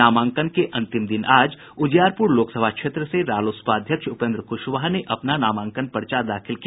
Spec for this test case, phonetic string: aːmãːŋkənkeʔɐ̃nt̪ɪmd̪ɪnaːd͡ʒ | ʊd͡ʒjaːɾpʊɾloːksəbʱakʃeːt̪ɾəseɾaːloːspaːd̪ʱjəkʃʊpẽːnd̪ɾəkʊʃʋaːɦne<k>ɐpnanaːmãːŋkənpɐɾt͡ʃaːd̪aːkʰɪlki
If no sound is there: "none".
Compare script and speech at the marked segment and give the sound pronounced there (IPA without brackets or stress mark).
ʔ